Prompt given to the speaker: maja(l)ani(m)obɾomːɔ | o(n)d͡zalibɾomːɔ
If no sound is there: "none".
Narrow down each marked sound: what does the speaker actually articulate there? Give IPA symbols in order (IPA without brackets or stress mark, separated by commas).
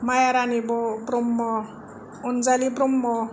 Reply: ɾ, b, n